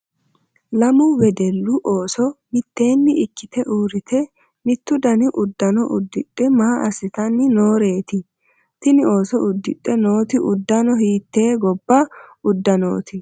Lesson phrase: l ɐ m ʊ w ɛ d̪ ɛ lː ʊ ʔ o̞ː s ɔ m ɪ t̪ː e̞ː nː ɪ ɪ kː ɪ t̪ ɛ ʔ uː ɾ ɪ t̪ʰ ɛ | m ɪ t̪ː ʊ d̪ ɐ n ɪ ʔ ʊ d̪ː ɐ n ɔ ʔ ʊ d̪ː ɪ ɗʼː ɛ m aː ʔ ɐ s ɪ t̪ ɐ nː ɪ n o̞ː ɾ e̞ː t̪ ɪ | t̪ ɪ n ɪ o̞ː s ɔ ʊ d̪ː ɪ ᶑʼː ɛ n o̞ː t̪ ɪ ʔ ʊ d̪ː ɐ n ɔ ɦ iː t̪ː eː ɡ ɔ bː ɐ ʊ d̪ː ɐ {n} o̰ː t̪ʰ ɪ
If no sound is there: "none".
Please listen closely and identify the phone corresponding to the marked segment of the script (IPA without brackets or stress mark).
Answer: n